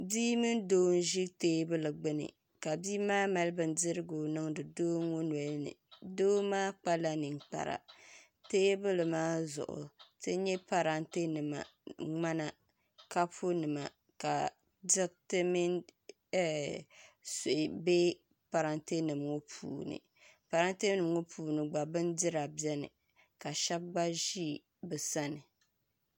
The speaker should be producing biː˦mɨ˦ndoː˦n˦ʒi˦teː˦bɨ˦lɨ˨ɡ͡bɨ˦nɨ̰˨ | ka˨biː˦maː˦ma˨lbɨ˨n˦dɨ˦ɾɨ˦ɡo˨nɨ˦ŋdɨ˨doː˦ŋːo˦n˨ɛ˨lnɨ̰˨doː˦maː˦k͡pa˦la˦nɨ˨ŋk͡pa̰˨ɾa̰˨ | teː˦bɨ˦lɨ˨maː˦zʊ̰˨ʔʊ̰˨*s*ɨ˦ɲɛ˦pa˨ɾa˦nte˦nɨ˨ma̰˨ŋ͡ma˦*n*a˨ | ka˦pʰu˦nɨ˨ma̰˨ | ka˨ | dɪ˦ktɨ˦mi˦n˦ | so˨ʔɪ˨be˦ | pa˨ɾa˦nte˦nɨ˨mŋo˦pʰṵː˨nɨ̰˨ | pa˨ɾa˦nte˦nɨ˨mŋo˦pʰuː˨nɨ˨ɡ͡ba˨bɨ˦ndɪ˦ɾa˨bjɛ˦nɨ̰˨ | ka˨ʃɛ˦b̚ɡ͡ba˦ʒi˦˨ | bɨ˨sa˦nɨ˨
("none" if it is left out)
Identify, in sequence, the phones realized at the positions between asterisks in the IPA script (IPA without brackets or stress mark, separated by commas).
t, n